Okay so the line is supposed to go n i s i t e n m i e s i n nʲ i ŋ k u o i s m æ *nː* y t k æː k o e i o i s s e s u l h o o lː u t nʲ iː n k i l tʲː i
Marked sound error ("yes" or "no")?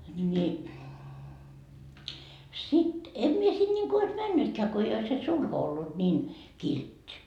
no